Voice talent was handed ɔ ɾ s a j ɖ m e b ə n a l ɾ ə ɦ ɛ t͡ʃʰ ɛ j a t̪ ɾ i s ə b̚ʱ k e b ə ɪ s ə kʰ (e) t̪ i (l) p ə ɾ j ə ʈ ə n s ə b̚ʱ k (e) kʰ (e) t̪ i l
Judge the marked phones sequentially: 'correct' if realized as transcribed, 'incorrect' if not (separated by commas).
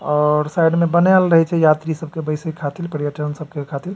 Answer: incorrect, correct, correct, incorrect